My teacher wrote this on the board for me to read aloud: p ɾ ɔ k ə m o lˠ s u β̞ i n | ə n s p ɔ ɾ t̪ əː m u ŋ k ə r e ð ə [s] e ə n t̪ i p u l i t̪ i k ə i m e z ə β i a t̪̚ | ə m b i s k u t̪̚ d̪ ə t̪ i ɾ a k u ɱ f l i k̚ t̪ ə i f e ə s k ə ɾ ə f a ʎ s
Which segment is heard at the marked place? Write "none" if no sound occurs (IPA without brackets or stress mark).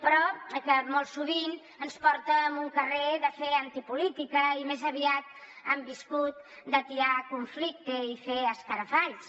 f